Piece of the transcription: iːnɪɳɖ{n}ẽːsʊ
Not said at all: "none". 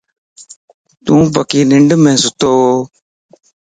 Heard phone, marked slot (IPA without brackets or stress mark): m